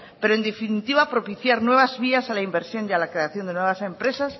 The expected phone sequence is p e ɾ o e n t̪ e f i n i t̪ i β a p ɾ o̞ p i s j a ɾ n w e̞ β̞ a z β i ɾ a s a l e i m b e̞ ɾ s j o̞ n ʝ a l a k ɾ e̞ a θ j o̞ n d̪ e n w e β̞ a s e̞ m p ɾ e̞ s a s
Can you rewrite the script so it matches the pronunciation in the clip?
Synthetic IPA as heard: p e ɾ o e n d̪ e f i n i t̪ i β a p ɾ o̞ p i θ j a ɾ n w e̞ β̞ a z β i a s a l a i m b e̞ ɾ s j o̞ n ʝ a l a k ɾ e̞ a θ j o̞ n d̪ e n w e β̞ a s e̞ m p ɾ e̞ s a s